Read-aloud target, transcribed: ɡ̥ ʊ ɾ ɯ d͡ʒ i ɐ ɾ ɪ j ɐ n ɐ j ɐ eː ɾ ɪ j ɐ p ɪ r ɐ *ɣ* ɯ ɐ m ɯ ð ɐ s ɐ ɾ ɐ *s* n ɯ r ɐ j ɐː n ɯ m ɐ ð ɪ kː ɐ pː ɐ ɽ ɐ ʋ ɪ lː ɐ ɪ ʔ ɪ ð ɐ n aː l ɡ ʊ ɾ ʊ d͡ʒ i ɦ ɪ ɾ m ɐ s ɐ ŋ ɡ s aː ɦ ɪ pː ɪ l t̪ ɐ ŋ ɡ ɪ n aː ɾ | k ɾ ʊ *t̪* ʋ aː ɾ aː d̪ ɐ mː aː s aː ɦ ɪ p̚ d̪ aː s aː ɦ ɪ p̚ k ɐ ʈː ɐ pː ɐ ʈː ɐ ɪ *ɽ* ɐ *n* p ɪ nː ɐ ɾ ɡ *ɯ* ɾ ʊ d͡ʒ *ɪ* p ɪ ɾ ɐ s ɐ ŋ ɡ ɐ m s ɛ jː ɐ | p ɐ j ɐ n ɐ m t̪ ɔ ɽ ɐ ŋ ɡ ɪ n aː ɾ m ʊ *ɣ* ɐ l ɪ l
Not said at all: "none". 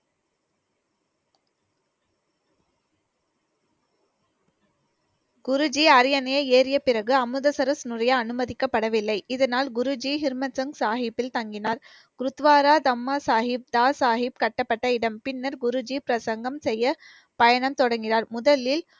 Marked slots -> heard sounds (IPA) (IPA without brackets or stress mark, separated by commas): ɣ, s, t̪, ɽ, m, ʊ, i, ð